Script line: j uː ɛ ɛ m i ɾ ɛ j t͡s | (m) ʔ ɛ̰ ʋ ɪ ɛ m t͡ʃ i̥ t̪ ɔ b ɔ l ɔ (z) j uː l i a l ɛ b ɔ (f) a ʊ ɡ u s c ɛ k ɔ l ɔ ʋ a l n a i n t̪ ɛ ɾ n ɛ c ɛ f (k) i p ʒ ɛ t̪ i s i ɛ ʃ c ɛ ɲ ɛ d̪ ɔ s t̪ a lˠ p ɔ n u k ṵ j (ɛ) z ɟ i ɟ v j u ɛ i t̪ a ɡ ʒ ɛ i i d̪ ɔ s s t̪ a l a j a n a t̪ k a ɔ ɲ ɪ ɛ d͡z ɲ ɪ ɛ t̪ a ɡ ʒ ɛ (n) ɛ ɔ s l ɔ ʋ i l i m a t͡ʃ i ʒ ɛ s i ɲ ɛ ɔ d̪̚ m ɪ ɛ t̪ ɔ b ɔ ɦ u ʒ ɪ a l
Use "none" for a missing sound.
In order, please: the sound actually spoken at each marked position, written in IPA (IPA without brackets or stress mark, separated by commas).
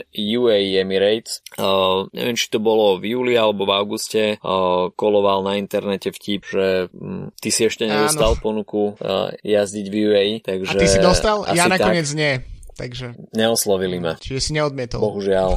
ɲ, v, v, c, a, ɲ